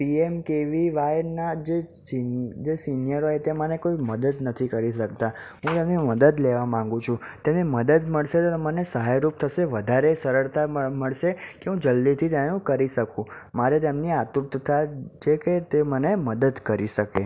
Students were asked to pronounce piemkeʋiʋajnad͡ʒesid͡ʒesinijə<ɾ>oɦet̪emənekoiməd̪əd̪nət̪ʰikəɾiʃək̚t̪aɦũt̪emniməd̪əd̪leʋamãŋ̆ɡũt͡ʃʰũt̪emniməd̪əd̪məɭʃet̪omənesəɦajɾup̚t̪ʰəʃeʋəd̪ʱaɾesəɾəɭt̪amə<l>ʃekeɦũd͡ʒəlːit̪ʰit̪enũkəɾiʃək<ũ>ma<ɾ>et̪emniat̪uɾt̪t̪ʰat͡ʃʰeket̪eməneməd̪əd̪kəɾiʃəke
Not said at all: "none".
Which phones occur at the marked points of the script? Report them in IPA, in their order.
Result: ɾ, ɭ, ũ, ɾ

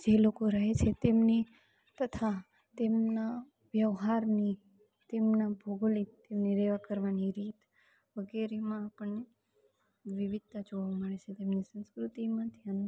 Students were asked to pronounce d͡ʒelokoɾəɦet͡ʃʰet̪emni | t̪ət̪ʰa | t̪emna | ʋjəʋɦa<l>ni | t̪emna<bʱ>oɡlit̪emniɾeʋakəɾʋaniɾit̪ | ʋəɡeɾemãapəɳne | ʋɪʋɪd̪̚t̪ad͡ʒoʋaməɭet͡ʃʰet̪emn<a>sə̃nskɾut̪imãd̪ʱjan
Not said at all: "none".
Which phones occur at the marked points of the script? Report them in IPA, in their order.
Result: ɾ, bʱ, i

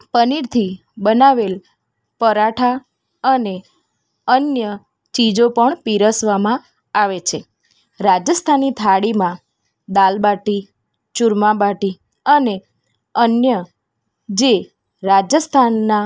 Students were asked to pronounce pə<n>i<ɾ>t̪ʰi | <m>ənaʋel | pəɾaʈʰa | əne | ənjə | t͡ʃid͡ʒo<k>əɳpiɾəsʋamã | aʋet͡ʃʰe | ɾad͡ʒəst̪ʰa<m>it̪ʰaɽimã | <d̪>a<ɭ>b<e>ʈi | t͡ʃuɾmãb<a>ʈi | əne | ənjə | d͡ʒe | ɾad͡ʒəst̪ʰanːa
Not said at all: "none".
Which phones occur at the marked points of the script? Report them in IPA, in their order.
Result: n, ɾ, b, p, n, d̪, l, a, a

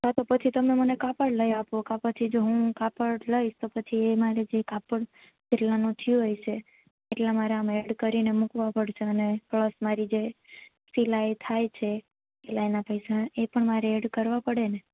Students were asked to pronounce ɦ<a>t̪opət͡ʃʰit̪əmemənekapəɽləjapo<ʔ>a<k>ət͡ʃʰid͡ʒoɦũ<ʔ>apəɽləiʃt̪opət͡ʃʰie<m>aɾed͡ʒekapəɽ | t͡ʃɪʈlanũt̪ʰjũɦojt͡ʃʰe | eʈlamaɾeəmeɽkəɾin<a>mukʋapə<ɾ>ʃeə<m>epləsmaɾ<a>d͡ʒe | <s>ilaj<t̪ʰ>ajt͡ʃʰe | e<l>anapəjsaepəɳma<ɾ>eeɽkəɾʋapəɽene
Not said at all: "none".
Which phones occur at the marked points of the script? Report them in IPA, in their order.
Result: a, k, p, k, m, e, ɽ, n, i, s, t̪ʰ, l, ɾ

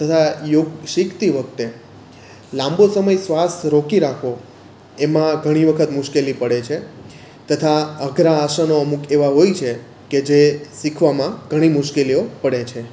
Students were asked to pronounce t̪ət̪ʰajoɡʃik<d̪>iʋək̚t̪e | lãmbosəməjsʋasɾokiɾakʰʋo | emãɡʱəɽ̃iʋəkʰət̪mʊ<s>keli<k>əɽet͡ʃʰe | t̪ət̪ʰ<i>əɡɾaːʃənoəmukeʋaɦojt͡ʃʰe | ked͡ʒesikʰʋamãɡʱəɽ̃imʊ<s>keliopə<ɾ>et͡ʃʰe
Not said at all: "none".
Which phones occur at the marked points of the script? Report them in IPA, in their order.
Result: t̪, ʃ, p, a, ʃ, ɽ

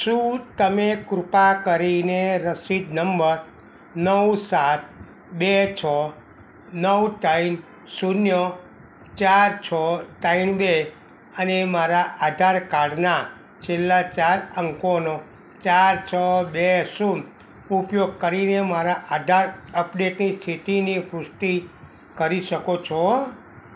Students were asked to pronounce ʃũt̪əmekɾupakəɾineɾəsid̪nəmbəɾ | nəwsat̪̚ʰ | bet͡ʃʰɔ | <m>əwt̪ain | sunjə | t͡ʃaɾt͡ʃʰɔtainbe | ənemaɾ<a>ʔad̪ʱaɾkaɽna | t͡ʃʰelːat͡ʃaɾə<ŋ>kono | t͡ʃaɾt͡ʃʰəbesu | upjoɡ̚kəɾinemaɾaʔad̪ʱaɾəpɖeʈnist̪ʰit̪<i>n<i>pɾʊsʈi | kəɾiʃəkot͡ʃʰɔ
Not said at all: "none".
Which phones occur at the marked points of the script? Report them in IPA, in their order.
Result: n, a, ŋ, i, i

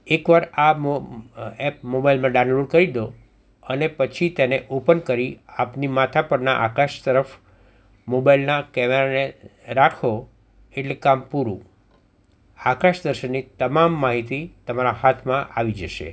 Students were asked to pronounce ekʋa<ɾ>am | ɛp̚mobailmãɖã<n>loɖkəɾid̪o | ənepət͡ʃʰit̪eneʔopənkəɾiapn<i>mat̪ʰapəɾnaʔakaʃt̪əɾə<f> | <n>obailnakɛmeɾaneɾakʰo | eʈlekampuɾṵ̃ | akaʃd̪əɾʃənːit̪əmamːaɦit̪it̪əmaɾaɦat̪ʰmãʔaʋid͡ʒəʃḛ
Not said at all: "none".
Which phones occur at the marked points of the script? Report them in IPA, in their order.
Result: ɾ, n, i, f, m

